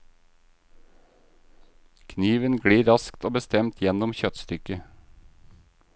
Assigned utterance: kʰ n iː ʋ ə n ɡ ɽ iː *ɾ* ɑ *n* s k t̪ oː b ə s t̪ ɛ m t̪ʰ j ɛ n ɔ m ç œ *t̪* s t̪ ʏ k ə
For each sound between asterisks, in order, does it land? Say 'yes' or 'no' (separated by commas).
yes, no, yes